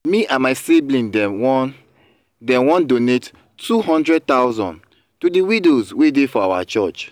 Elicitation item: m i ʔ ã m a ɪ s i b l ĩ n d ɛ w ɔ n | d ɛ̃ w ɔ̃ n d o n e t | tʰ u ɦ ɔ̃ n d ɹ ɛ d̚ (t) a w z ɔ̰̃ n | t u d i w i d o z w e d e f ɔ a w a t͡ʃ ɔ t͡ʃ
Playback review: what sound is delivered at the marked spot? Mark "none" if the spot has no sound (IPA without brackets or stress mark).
t